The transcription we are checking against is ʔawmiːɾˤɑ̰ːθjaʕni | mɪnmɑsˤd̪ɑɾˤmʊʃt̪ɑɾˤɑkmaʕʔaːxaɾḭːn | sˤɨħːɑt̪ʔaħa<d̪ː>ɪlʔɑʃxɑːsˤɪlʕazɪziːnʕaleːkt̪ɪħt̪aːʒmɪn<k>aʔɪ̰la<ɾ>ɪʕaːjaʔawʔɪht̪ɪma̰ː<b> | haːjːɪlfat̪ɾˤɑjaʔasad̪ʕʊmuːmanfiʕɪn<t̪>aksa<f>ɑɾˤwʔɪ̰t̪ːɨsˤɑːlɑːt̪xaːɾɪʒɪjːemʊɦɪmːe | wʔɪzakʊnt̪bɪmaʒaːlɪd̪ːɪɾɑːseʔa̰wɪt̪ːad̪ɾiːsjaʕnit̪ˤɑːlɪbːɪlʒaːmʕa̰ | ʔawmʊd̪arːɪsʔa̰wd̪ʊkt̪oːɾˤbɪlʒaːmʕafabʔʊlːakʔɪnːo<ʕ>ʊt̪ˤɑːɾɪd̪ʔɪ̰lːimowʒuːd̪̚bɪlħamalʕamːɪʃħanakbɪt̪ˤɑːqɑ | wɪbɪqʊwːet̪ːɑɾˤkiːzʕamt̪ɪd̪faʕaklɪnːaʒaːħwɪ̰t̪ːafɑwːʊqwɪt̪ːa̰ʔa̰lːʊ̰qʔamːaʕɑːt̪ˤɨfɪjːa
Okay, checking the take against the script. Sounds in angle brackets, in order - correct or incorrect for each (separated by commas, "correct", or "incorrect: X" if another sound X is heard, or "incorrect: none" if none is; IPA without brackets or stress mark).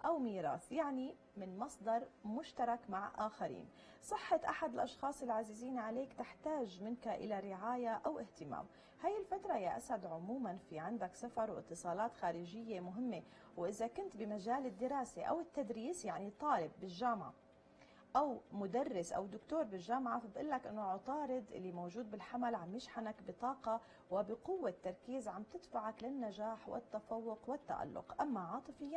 incorrect: d̪, correct, correct, incorrect: m, incorrect: d̪, correct, correct